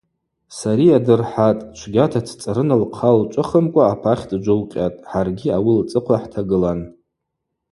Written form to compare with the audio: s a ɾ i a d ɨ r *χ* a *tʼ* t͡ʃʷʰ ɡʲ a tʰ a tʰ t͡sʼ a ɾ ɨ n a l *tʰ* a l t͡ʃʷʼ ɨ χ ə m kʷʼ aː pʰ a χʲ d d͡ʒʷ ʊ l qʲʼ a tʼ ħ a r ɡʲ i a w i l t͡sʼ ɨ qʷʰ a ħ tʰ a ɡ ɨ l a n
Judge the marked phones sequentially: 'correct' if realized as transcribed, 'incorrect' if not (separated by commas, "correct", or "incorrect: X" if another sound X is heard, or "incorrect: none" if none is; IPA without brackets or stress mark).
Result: incorrect: ħ, correct, incorrect: qʰ